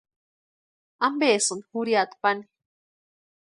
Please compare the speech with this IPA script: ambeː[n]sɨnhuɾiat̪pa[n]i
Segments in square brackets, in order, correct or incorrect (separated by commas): incorrect, correct